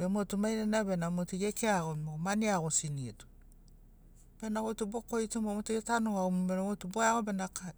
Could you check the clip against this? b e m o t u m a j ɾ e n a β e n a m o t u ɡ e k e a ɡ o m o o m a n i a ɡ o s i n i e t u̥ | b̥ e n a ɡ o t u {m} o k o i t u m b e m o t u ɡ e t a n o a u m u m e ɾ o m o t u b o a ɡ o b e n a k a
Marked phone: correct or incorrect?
incorrect